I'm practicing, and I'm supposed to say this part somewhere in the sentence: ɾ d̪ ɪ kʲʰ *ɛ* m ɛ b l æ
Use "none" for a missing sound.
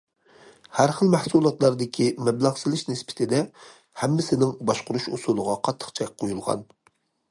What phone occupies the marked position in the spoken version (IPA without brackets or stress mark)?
i